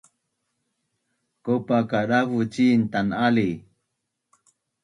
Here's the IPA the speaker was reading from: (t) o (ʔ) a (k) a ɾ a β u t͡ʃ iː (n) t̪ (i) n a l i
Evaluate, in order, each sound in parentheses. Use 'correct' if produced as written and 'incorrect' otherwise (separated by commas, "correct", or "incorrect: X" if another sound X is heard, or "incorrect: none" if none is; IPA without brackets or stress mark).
incorrect: k, incorrect: p, correct, correct, incorrect: a